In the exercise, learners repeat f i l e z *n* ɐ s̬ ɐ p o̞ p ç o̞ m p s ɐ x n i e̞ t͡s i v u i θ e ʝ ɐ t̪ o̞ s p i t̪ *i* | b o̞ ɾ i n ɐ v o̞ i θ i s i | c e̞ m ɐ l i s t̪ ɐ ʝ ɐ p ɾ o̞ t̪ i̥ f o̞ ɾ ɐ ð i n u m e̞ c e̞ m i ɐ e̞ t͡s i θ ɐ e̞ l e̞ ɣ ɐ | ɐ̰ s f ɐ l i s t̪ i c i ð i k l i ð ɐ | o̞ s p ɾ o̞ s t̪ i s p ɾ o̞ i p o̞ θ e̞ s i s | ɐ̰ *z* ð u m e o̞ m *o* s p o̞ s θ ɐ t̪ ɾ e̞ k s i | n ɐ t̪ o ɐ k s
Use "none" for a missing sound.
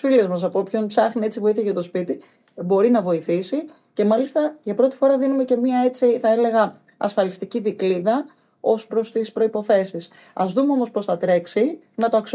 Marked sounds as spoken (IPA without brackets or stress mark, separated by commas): m, i, z, o